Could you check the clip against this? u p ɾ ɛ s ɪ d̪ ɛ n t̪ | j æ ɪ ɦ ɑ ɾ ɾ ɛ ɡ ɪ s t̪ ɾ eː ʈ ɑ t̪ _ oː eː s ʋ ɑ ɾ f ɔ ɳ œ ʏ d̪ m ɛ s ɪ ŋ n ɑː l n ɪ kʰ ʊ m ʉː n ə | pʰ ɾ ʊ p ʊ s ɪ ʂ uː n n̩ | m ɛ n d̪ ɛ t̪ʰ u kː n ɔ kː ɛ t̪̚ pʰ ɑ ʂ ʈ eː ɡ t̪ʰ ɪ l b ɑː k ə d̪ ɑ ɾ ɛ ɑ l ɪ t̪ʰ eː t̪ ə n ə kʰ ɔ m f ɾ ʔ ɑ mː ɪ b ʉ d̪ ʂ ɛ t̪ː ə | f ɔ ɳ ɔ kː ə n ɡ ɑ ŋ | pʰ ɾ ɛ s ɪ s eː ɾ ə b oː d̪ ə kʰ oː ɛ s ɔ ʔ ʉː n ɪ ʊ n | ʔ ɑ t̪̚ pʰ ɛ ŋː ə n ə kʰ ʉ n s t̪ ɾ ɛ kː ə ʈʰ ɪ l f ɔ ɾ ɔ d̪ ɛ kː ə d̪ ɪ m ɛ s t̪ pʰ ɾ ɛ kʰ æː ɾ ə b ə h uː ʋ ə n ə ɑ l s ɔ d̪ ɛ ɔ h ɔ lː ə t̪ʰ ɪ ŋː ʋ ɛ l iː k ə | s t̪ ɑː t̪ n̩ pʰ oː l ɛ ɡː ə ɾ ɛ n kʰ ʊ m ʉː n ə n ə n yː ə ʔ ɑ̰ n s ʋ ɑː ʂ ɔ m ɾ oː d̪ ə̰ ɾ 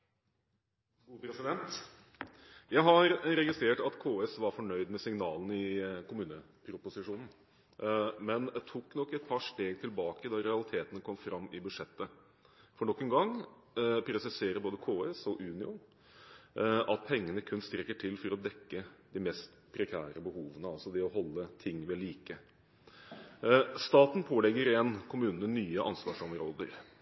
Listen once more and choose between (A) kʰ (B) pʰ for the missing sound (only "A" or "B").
A